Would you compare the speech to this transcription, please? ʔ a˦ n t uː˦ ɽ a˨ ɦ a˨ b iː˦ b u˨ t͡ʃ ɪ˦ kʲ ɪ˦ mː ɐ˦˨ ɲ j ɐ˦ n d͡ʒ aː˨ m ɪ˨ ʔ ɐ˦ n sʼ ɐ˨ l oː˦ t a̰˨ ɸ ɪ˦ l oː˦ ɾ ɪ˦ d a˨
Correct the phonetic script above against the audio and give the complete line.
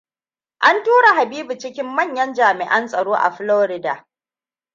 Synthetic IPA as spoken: ʔ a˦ n t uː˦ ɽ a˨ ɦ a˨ b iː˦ b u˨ t͡ʃ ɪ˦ kʲ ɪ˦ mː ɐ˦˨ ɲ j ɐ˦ n d͡ʒ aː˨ m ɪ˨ ʔ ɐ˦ n sʼ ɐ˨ ɽ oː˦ ʔ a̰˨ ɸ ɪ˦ l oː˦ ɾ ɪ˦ d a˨